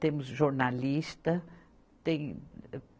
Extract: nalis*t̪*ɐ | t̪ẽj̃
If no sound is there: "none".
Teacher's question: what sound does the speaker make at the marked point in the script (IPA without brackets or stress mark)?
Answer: t̪